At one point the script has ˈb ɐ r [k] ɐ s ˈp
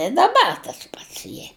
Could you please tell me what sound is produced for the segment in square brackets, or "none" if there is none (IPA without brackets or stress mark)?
t